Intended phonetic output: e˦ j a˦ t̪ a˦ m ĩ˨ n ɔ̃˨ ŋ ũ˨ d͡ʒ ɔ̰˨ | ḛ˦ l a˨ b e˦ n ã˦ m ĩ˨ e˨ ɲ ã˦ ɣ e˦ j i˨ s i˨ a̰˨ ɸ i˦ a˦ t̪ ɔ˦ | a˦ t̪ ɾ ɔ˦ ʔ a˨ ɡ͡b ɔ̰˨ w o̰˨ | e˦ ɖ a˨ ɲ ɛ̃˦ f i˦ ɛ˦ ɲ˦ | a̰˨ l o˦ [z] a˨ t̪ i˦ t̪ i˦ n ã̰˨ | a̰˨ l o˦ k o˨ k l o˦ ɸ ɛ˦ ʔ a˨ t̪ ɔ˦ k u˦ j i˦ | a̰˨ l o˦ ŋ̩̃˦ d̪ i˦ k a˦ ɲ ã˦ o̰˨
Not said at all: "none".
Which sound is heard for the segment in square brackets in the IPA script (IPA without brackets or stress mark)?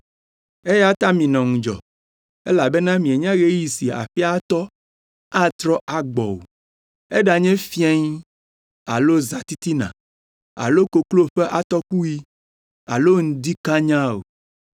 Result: z